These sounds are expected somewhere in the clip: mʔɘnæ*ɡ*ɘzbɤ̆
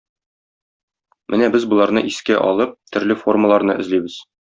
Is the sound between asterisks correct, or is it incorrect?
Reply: incorrect